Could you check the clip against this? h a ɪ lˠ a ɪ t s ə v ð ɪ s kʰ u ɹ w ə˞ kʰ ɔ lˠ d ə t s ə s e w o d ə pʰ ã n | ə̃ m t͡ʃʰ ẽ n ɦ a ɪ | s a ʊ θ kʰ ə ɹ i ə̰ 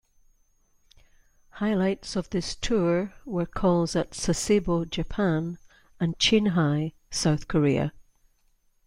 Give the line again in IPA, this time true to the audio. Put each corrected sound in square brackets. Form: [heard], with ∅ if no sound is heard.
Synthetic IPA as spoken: h a ɪ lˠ a ɪ t s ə v ð ɪ s [tʰ] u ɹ w ə˞ kʰ ɔ lˠ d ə t s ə s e [b] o [d͡ʒ] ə pʰ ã n | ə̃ [n] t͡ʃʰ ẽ n ɦ a ɪ | s a ʊ θ kʰ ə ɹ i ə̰

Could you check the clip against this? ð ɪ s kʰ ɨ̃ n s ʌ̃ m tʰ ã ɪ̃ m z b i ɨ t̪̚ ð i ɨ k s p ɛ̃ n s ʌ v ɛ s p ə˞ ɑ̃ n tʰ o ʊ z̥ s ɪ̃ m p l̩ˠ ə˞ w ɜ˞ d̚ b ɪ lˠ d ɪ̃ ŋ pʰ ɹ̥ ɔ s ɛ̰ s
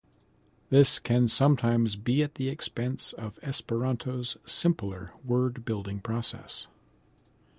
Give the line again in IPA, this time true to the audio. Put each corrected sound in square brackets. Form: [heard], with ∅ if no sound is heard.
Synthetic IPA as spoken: ð ɪ s kʰ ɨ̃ n s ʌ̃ m tʰ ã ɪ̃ m z b i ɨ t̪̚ ð i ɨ k s p ɛ̃ n s ʌ v ɛ s p ə˞ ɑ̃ n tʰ o ʊ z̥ s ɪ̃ m p l̩ˠ ə˞ w ɜ˞ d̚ b ɪ lˠ d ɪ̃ ŋ pʰ ɹ̥ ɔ s ɛ̰ s

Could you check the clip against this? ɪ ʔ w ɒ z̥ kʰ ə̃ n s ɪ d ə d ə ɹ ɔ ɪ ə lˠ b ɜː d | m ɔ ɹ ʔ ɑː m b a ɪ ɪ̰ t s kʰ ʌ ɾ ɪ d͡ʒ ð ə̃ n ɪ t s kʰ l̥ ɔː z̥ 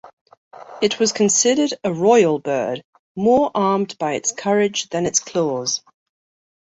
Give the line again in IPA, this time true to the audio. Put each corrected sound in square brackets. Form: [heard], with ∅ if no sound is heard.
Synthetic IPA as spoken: ɪ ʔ w ɒ z̥ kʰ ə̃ n s ɪ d ə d ə ɹ ɔ ɪ ə lˠ b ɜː d | m [ɔː] ɹ ʔ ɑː m b a ɪ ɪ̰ t s kʰ ʌ [ɹ] ɪ d͡ʒ ð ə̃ n ɪ t s kʰ l̥ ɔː z̥

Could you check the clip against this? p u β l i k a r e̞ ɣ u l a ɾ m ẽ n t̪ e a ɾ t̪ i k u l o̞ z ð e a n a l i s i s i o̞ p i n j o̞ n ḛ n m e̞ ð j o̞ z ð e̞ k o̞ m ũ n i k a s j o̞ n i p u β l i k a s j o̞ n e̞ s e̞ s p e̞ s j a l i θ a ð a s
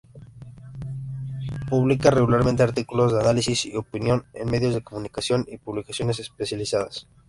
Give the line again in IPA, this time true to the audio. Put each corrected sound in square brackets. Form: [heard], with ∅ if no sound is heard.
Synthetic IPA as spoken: p u β l i k a r e̞ ɣ u l a ɾ m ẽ n t̪ e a ɾ t̪ i k u l o̞ z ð e a n a l i s i s i o̞ p i n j o̞ n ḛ n m e̞ ð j o̞ z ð e̞ k o̞ m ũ n i k a s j o̞ n i p u β l i k a s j o̞ n e̞ s e̞ s p e̞ s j a l i [s] a ð a s

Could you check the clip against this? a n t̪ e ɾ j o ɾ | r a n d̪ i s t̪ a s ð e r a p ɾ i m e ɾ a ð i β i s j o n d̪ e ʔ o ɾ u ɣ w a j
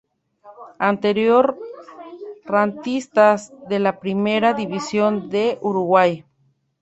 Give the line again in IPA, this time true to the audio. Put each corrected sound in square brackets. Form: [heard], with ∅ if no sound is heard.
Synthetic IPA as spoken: a n t̪ e ɾ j o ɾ | r a n [t̪] i s t̪ a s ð e [l] a p ɾ i m e ɾ a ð i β i s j o n d̪ e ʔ [u] ɾ u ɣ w a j

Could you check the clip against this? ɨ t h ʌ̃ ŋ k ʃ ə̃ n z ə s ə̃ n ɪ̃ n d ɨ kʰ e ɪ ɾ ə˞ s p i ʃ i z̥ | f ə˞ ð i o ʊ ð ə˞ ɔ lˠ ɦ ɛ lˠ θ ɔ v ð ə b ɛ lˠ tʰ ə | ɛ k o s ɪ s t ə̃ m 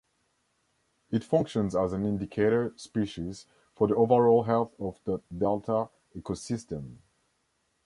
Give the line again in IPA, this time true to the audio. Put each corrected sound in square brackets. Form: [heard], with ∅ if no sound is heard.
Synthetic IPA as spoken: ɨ t [f] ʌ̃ ŋ k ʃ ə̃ n z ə [z] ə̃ n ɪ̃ n d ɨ kʰ e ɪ ɾ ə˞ s p i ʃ i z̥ | f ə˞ ð i o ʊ [v] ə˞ ɔ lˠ ɦ ɛ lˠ θ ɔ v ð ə [d] ɛ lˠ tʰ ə | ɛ k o s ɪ s t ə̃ m

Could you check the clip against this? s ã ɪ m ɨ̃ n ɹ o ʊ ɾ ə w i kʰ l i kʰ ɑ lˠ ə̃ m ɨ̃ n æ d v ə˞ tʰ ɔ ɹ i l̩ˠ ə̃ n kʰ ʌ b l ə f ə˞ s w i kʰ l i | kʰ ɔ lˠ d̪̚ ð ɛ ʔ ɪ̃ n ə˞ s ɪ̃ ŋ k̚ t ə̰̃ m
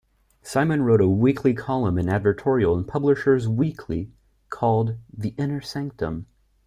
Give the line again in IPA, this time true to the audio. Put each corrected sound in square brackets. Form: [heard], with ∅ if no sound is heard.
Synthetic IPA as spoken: s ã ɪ m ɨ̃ n ɹ o ʊ ɾ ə w i kʰ l i kʰ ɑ lˠ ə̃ m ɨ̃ n æ d v ə˞ tʰ ɔ ɹ i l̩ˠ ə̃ n [pʰ] ʌ b l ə [ʃ] ə˞ [z] w i kʰ l i | kʰ ɔ lˠ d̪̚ ð [i] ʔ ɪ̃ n ə˞ s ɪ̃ ŋ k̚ t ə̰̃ m

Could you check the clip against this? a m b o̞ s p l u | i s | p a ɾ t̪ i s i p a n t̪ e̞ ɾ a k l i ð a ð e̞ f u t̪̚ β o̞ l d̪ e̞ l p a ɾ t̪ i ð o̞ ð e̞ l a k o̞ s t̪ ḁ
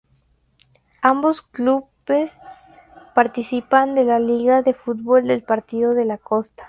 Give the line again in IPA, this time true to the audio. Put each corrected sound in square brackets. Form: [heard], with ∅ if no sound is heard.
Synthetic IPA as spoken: a m b o̞ s [k] l u | [e] s | p a ɾ t̪ i s i p a n [d̪] e̞ [l] a [∅] l i [ɣ] a ð e̞ f u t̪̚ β o̞ l d̪ e̞ l p a ɾ t̪ i ð o̞ ð e̞ l a k o̞ s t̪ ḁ

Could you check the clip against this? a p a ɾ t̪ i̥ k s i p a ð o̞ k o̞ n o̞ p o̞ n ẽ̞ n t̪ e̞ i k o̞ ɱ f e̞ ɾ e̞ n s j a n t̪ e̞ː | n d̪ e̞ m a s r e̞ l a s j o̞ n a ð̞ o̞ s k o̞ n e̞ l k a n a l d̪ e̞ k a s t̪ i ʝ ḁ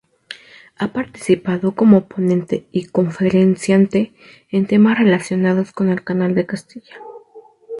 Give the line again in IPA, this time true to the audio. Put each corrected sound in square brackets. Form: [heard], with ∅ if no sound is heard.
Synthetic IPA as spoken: a p a ɾ t̪ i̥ [∅] s i p a ð o̞ k o̞ [m] o̞ p o̞ n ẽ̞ n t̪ e̞ i k o̞ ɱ f e̞ ɾ e̞ n s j a n t̪ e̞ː | n [t̪] e̞ m a s r e̞ l a s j o̞ n a ð̞ o̞ s k o̞ n e̞ l k a n a l d̪ e̞ k a s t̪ i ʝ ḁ

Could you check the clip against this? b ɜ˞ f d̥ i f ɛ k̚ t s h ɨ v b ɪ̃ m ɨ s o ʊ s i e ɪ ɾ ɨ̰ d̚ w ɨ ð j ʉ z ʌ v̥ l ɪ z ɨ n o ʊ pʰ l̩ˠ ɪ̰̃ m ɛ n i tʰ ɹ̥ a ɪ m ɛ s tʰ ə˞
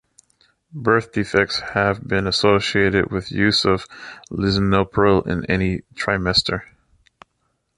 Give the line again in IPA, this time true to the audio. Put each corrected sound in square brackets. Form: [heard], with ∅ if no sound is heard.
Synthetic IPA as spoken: b ɜ˞ [θ] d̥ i f ɛ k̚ t s h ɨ v b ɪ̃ [n] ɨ s o ʊ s i e ɪ ɾ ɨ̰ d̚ w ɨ ð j ʉ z ʌ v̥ l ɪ z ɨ n o ʊ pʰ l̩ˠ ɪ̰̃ [n] ɛ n i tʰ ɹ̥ a ɪ m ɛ s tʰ ə˞

